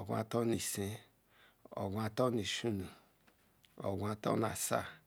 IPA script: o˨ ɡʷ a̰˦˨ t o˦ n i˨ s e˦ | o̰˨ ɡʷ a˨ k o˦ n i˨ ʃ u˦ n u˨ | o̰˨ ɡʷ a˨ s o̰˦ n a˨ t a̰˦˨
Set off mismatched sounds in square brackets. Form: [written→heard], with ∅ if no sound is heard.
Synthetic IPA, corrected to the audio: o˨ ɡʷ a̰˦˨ t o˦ n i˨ s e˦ | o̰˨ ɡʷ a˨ [k→t] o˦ n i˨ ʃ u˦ n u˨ | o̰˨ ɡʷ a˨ [s→t] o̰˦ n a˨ [t→s] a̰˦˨